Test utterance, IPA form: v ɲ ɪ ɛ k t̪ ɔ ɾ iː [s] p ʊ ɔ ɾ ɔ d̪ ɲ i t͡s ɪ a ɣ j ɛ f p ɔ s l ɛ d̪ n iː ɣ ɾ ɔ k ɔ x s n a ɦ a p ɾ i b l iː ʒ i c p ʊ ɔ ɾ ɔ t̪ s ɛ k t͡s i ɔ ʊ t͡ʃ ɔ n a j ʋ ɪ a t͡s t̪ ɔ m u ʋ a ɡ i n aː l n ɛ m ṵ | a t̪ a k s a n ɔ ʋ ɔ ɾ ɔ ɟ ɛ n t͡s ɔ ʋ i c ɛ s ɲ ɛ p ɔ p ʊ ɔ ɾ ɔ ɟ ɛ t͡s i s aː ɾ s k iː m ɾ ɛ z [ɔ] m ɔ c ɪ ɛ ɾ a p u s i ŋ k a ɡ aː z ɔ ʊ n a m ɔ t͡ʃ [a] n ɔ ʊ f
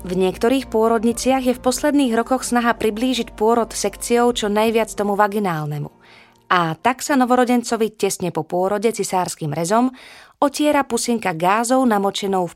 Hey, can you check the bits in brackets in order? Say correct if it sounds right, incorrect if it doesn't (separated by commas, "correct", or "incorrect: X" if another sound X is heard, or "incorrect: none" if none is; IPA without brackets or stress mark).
incorrect: x, correct, incorrect: ɛ